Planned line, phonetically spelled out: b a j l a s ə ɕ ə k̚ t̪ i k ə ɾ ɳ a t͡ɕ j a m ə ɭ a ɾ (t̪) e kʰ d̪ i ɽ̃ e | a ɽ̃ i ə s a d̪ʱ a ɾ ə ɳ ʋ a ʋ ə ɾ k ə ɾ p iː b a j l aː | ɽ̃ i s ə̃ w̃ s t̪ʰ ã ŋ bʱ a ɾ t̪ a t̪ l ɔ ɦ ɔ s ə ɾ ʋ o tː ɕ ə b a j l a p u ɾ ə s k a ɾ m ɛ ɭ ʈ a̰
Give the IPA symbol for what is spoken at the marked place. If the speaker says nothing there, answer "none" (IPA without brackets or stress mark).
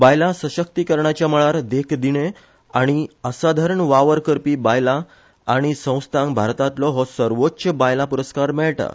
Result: d̪